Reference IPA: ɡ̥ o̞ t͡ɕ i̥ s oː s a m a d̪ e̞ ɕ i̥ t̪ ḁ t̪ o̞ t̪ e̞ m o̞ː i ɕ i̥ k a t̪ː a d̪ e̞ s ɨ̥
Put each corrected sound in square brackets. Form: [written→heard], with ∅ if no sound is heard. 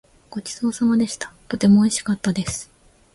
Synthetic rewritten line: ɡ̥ o̞ t͡ɕ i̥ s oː s a m a d̪ e̞ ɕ i̥ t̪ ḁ t̪ o̞ t̪ e̞ m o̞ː i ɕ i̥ k a t̪ː a d̪ e̞ s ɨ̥